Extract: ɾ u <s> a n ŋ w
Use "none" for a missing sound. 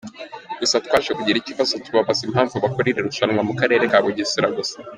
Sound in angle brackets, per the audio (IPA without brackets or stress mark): ʃ